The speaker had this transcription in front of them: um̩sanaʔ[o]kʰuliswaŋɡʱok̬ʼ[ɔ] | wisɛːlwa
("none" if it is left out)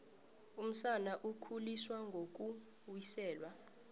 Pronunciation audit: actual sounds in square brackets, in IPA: u, u

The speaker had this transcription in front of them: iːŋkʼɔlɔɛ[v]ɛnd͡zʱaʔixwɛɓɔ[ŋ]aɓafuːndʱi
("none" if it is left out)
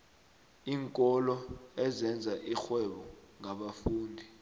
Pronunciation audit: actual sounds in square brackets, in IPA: z, ŋ

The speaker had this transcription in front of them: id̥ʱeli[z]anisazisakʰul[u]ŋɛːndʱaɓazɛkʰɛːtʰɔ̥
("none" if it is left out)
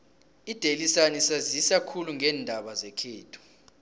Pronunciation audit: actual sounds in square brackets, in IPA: s, u

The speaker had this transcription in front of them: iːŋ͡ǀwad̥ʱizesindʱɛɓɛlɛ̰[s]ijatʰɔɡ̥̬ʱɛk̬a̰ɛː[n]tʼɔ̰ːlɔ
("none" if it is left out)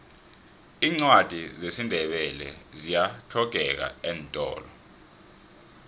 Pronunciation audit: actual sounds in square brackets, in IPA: z, n

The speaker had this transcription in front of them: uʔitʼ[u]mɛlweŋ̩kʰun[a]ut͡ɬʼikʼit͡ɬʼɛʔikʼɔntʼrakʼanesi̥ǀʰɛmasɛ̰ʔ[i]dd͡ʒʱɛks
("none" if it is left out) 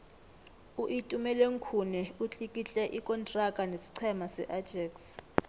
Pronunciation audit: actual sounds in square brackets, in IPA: u, ɛ, a

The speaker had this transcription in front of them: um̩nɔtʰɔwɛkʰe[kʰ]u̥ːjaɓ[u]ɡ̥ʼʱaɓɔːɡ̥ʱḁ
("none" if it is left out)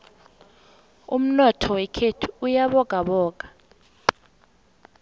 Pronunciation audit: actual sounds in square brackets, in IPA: tʰ, ɔ

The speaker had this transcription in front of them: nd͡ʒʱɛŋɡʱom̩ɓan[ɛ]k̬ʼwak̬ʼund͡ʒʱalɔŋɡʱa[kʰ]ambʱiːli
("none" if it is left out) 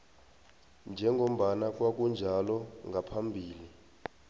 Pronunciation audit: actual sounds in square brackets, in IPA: a, pʰ

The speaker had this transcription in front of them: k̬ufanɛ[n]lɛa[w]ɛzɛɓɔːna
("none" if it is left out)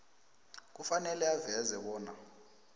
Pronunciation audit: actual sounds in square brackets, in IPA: none, v

